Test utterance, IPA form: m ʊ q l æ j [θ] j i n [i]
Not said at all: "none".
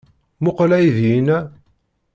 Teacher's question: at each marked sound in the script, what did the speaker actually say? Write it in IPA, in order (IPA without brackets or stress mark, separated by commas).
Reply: ð, æ